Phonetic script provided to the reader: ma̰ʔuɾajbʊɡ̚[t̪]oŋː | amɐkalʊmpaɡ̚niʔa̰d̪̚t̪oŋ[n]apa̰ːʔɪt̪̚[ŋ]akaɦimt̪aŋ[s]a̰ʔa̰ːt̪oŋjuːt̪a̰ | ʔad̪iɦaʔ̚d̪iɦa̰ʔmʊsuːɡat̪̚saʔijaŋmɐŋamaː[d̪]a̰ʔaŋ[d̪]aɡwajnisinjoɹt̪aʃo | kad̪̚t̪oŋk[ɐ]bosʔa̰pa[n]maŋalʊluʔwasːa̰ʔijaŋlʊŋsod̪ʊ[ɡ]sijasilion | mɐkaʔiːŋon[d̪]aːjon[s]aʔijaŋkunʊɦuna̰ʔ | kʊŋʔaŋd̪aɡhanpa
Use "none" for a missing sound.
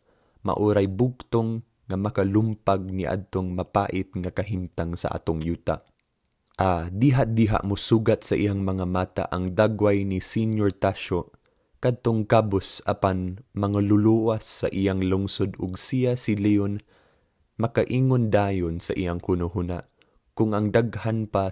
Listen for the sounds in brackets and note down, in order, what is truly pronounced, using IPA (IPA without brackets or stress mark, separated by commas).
t̪, m, ŋ, s, t̪, d̪, a, n, ɡ, d̪, s